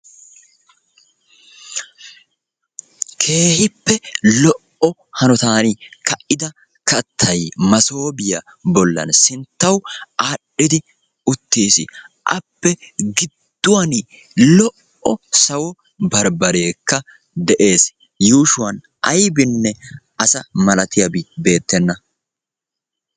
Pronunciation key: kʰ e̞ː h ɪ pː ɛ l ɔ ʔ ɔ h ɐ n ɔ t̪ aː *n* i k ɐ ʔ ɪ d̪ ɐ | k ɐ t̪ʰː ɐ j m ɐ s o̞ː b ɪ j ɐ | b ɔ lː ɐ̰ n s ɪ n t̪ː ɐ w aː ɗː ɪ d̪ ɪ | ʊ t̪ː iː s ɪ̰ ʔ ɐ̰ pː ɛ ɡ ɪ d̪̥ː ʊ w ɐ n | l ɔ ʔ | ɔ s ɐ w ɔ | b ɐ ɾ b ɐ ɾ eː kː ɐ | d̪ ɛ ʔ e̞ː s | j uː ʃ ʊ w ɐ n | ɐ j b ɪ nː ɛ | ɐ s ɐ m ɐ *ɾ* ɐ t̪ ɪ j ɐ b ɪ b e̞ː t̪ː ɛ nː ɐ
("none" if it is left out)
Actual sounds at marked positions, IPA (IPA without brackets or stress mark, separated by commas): n, l